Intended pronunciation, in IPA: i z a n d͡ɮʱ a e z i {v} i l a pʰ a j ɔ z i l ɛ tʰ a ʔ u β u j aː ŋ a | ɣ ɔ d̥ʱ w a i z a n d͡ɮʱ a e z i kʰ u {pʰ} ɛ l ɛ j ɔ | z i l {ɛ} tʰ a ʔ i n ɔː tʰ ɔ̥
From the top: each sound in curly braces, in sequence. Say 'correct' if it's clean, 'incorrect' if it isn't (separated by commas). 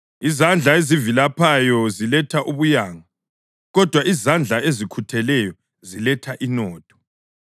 correct, incorrect, correct